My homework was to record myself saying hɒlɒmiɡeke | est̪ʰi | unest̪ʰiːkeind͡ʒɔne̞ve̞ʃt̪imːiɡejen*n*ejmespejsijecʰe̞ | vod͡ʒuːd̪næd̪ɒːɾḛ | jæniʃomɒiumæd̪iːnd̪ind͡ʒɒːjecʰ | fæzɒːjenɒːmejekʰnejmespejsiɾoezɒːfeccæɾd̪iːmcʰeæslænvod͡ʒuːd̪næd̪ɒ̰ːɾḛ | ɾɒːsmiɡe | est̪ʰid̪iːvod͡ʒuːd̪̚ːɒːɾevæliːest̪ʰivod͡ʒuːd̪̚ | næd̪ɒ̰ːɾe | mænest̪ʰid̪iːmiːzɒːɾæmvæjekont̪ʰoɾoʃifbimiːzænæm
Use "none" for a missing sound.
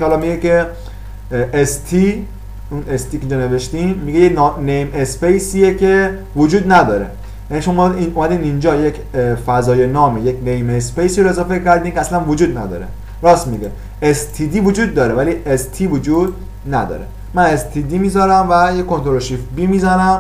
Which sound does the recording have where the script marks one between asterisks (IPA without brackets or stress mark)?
n